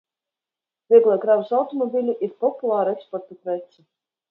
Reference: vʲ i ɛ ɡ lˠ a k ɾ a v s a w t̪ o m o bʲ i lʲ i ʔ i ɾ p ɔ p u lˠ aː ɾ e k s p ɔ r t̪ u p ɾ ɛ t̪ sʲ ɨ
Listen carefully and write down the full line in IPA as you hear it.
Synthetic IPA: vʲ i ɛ ɡ lˠ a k ɾ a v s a w t̪ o m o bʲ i lʲ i ʔ i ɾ p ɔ p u lˠ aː ɾ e k s p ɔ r t̪ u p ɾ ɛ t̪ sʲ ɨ